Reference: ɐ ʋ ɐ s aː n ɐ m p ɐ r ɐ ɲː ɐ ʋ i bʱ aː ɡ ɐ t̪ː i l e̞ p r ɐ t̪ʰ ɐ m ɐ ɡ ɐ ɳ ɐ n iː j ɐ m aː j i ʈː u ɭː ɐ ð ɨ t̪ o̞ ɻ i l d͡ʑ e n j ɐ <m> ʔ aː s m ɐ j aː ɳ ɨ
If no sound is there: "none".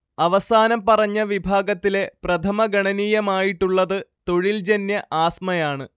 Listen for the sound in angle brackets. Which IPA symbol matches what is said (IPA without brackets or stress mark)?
none